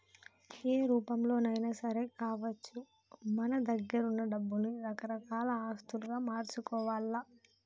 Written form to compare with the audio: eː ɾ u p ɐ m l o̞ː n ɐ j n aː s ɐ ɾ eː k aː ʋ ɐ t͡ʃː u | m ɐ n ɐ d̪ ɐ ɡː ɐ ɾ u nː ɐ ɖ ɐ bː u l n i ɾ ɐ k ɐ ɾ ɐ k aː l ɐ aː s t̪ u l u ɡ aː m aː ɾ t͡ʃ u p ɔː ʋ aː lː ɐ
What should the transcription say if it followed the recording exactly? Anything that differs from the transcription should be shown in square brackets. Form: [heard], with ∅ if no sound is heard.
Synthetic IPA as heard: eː ɾ [uː] p ɐ m l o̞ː n ɐ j n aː s ɐ ɾ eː k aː ʋ ɐ t͡ʃː u | m ɐ n ɐ d̪ ɐ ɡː ɐ ɾ u nː ɐ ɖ ɐ bː u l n i ɾ ɐ k ɐ ɾ ɐ k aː l ɐ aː s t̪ u l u ɡ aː m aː ɾ t͡ʃ u [k] ɔː ʋ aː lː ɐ

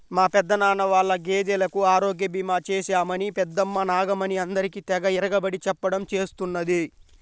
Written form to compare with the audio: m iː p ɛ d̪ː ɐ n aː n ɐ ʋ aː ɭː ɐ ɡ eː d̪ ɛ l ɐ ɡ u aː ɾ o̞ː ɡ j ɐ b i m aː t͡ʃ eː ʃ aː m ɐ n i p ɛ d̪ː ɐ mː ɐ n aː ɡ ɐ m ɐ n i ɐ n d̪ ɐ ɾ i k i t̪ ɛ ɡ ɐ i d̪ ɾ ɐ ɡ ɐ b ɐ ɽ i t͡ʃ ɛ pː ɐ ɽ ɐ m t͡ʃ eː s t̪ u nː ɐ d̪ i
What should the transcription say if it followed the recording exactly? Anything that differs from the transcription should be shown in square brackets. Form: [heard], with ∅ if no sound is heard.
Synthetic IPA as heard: m [aː] p ɛ d̪ː ɐ n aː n ɐ ʋ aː ɭː ɐ ɡ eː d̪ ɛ l ɐ [k] u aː ɾ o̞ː ɡ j ɐ b i m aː t͡ʃ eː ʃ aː m ɐ n i p ɛ d̪ː ɐ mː ɐ n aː ɡ ɐ m ɐ n i ɐ n d̪ ɐ ɾ i k i t̪ ɛ ɡ ɐ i [∅] ɾ ɐ ɡ ɐ b ɐ ɽ i t͡ʃ ɛ pː ɐ ɽ ɐ m t͡ʃ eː s t̪ u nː ɐ d̪ i

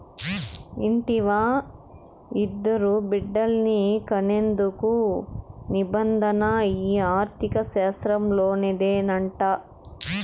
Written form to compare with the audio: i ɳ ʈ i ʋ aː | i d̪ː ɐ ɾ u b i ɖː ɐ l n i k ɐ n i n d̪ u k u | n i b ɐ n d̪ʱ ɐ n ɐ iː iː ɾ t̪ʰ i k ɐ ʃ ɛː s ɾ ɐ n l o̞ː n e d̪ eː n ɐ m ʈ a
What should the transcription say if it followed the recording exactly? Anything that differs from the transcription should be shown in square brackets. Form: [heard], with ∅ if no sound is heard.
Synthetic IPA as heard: i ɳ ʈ i ʋ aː | i d̪ː ɐ ɾ u b i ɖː ɐ l n i k ɐ n [e] n d̪ u k u | n i b ɐ n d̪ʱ ɐ n ɐ iː [aː] ɾ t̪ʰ i k ɐ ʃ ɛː s ɾ ɐ [m] l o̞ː n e d̪ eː n ɐ [ɳ] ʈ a

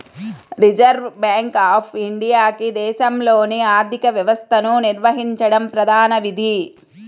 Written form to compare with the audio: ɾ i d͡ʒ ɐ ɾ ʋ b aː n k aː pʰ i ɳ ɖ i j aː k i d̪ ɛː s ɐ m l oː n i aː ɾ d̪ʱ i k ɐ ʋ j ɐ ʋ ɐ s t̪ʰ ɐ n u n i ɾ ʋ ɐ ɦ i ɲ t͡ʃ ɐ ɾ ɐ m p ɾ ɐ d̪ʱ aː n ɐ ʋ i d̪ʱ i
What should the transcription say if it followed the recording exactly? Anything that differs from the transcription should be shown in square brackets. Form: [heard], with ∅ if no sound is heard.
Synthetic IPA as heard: ɾ i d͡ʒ ɐ ɾ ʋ b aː [ŋ] k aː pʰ i ɳ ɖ i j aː k i d̪ ɛː [ʃ] ɐ m l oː n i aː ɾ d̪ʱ i k ɐ ʋ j ɐ ʋ ɐ s t̪ʰ ɐ n u n i ɾ ʋ ɐ ɦ i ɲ t͡ʃ ɐ [ɽ] ɐ m p ɾ ɐ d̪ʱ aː n ɐ ʋ i d̪ʱ i

